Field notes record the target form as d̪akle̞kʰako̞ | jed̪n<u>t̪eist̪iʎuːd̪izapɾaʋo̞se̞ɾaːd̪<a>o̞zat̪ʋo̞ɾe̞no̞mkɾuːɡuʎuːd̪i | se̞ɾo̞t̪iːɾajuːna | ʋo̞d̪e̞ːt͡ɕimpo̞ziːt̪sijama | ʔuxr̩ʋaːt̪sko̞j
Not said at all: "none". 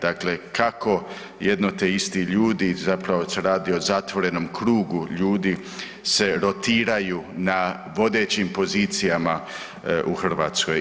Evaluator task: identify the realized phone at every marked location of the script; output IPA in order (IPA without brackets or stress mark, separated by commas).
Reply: o, i